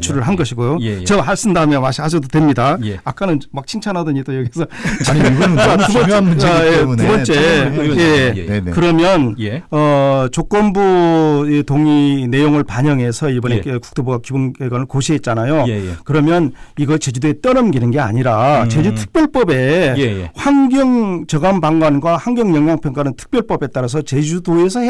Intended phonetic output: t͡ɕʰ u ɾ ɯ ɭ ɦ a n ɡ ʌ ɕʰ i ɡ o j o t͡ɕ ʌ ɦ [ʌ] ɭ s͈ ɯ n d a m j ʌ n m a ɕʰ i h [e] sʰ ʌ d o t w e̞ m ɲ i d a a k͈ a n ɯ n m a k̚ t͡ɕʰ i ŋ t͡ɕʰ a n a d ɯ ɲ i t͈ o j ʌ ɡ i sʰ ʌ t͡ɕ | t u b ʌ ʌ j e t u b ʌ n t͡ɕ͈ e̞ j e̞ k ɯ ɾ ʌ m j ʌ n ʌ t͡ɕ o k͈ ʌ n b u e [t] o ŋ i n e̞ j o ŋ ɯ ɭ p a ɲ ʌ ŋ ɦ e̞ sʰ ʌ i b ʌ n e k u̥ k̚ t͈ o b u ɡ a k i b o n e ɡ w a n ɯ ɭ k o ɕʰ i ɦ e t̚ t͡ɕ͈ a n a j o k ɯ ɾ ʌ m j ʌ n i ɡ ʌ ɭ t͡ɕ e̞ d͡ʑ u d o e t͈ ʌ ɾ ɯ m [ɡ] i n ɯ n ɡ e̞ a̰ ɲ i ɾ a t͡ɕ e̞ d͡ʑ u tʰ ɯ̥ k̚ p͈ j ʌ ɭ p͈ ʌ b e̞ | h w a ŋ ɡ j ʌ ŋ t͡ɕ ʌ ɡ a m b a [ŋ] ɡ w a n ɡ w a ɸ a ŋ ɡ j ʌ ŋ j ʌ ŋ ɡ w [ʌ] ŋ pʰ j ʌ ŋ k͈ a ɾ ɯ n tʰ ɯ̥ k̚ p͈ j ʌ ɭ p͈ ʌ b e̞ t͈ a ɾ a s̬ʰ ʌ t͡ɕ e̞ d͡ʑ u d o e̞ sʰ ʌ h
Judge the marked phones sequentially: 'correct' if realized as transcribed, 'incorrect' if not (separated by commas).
incorrect, incorrect, correct, correct, correct, incorrect